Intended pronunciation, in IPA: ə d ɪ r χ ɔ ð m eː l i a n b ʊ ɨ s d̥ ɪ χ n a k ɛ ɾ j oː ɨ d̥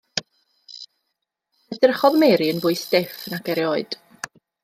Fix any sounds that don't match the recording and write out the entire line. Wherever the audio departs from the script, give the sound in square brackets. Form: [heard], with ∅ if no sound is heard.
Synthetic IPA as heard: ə d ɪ r χ ɔ ð m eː [ɾ] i [ə] n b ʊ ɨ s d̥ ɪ [f] n a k ɛ ɾ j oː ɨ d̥